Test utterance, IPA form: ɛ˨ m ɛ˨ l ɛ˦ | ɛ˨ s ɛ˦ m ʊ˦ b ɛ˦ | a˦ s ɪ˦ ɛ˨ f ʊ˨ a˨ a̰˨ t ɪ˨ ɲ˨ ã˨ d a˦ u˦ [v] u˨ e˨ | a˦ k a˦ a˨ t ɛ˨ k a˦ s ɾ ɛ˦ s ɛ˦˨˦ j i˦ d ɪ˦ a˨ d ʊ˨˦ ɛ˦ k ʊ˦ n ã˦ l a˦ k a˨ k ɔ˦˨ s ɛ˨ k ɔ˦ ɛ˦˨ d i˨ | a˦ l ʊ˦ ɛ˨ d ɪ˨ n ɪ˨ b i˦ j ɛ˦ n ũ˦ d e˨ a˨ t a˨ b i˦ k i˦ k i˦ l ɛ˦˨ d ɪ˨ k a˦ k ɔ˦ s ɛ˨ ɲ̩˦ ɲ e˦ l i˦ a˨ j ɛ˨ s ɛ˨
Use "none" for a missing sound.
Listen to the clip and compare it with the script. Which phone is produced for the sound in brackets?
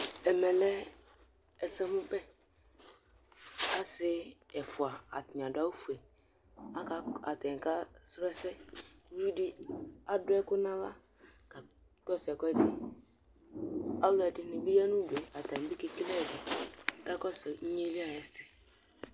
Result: f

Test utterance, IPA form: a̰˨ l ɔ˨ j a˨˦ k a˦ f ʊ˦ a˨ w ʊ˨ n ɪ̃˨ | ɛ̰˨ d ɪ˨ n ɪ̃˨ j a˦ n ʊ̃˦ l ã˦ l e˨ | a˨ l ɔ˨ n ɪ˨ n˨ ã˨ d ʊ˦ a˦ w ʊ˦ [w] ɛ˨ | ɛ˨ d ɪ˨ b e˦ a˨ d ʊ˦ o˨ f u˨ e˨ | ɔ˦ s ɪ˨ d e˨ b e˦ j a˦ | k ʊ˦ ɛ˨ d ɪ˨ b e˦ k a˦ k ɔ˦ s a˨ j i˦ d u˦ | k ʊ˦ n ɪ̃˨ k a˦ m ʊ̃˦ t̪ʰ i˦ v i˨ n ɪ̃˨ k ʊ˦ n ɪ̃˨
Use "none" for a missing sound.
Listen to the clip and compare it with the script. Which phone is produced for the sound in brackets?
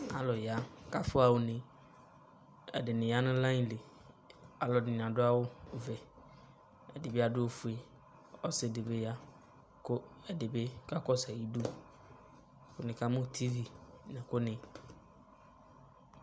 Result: v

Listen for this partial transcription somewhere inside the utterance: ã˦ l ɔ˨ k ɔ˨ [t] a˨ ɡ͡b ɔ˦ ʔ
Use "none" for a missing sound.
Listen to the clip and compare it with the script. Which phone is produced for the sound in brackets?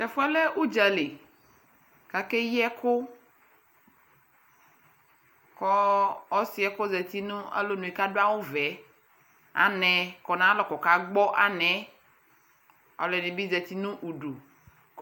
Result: k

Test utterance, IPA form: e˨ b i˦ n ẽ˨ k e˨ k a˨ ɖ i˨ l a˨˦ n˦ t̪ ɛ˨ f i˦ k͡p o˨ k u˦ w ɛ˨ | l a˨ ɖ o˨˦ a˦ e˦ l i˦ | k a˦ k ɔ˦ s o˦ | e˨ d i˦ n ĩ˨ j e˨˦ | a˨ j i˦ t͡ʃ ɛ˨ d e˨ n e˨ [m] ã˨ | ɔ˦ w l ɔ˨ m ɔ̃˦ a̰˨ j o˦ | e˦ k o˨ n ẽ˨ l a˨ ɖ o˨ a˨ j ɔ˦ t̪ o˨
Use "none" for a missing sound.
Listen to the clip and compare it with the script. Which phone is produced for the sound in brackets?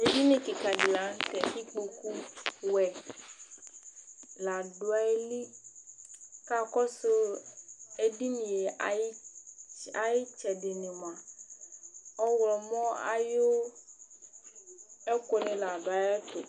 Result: m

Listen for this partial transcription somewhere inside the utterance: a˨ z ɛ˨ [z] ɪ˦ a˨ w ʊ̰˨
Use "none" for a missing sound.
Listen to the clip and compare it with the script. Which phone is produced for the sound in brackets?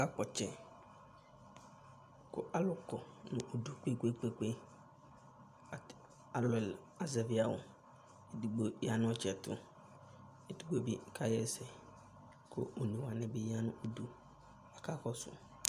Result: v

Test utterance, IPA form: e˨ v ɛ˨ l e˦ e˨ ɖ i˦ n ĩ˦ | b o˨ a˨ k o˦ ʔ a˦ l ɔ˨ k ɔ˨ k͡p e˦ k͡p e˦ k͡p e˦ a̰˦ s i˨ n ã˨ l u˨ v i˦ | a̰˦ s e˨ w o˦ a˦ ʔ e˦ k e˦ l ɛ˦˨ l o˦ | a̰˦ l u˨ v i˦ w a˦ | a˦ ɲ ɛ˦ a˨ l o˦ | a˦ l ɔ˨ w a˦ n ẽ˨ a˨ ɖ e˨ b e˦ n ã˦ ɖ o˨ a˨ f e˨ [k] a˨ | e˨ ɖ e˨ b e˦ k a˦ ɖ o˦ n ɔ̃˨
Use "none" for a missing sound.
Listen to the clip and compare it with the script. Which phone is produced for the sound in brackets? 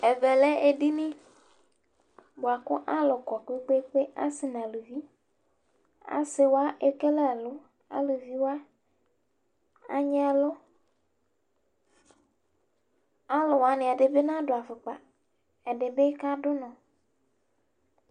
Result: k͡p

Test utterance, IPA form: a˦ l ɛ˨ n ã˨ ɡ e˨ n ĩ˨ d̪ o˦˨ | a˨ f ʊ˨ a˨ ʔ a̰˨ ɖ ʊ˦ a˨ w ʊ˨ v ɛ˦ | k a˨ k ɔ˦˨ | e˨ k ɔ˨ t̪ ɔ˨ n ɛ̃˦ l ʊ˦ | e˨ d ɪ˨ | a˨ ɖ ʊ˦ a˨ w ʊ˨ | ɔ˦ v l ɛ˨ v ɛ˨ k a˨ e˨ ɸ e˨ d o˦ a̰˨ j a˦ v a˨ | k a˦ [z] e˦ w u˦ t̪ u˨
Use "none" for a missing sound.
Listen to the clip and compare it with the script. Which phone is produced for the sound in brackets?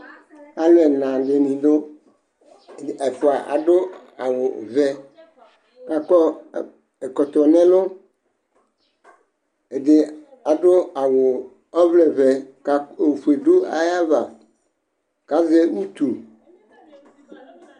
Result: z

